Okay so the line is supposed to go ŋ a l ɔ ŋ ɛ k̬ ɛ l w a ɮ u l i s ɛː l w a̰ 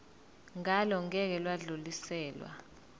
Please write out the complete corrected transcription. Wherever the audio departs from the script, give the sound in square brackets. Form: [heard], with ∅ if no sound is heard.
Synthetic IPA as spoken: ŋ a l ɔ ŋ ɛ k̬ ɛ l w a ɮ u l i s ɛː l w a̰